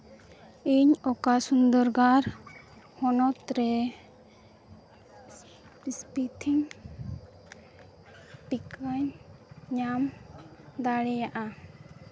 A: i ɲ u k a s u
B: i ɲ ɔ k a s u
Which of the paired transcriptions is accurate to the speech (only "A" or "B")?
B